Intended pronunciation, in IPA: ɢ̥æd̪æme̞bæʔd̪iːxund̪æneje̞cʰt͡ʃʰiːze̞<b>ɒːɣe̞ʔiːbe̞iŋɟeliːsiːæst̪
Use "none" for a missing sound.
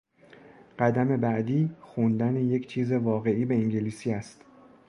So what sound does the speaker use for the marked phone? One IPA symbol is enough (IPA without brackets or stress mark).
v